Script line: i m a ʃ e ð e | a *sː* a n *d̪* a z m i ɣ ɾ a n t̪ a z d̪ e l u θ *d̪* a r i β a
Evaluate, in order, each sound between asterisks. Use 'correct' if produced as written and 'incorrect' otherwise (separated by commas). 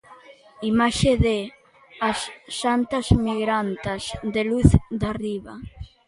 correct, incorrect, correct